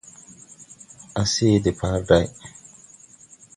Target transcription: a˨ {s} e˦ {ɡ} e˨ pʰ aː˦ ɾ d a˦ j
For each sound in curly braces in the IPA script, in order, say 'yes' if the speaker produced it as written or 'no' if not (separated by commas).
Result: yes, no